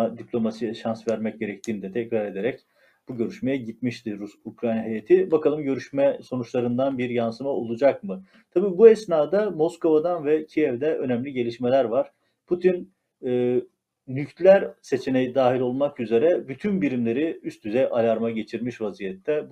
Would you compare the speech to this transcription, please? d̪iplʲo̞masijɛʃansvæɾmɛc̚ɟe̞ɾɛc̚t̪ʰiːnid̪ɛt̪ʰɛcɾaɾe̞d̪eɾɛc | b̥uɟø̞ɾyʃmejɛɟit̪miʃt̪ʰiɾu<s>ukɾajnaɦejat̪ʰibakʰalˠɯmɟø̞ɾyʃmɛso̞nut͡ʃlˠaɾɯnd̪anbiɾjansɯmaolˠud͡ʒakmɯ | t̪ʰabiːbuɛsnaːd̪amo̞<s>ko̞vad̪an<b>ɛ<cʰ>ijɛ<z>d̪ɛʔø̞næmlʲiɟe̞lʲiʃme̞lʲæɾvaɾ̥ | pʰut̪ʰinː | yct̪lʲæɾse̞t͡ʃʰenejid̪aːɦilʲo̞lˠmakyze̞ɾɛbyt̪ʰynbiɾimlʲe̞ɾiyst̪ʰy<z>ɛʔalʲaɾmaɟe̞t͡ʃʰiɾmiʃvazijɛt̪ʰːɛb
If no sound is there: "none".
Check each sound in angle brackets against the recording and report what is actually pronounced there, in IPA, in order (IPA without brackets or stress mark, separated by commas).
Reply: s, s, v, cʰ, v, z